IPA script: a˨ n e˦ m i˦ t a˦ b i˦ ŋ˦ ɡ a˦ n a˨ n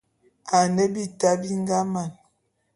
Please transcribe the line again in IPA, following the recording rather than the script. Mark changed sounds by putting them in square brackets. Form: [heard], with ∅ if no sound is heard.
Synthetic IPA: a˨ n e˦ [b] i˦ t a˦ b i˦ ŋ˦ ɡ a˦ [m] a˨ n